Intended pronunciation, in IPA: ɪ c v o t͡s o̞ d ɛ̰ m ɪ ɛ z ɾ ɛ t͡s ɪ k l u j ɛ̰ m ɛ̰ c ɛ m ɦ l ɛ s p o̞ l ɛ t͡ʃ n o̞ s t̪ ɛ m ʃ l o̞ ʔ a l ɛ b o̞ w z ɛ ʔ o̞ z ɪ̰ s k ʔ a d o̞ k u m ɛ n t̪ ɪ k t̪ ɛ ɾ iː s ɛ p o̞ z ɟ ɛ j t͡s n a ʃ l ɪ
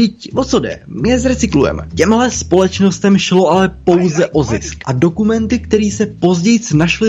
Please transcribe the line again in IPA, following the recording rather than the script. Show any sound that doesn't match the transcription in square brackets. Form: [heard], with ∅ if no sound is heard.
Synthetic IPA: ɪ c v o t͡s o̞ d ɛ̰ m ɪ ɛ z ɾ ɛ t͡s ɪ k l u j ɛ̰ m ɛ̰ c ɛ m ɦ l ɛ s p o̞ l ɛ t͡ʃ n o̞ s t̪ ɛ m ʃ l o̞ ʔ a l ɛ [p] o̞ w z ɛ ʔ o̞ z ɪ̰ s k ʔ a d o̞ k u m ɛ n t̪ ɪ k t̪ ɛ ɾ iː s ɛ p o̞ z ɟ ɛ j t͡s n a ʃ l ɪ